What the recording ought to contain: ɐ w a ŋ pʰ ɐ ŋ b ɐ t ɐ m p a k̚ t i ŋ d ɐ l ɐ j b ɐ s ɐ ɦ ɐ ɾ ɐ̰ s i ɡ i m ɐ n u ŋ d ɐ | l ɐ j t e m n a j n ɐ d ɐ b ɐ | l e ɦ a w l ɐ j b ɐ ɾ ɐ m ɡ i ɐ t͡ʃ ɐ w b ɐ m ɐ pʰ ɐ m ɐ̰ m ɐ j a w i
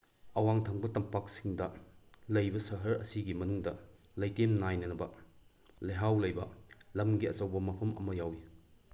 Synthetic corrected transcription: ɐ w a ŋ tʰ ɐ ŋ b ɐ t ɐ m p a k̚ s i ŋ d ɐ l ɐ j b ɐ s ɐ ɦ ɐ ɾ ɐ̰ s i ɡ i m ɐ n u ŋ d ɐ | l ɐ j t e m n a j n ɐ n ɐ b ɐ | l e ɦ a w l ɐ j b ɐ l ɐ m ɡ i ɐ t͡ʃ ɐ w b ɐ m ɐ pʰ ɐ m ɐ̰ m ɐ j a w i